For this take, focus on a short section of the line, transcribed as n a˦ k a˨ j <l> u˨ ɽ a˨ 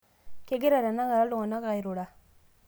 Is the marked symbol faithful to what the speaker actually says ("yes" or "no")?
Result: no